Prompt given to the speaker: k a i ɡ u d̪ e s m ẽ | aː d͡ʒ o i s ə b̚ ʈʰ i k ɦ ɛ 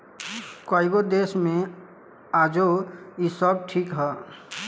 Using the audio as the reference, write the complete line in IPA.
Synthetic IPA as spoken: k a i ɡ o d̪ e s m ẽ | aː d͡ʒ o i s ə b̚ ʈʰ i k ɦ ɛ